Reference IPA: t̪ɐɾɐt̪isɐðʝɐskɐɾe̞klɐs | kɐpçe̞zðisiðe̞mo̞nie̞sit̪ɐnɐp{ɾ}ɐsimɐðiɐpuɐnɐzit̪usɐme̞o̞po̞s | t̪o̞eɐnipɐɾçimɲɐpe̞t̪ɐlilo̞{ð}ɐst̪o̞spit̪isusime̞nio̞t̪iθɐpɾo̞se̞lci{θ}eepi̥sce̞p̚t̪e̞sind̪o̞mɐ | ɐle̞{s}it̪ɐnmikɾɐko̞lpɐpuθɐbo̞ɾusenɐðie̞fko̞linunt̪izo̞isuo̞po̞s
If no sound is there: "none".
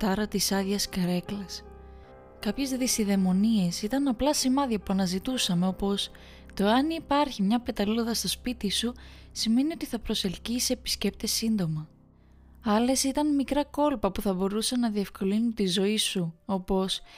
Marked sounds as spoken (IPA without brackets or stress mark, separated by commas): l, ð, s, s